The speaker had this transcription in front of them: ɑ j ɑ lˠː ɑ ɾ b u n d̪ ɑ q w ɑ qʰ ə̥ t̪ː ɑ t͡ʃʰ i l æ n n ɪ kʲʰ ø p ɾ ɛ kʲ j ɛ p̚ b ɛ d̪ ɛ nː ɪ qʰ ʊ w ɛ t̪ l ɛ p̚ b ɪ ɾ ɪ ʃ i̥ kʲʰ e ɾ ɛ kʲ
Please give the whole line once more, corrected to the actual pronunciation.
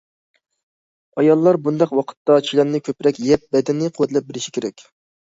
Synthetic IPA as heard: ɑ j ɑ lˠː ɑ ɾ b u n d̪ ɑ q w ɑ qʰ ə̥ t̪ː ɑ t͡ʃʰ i l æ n n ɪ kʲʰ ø p ɾ ɛ kʲ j ɛ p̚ b ɛ d̪ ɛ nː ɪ qʰ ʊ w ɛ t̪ l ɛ p̚ b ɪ ɾ ɪ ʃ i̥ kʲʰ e ɾ ɛ kʲ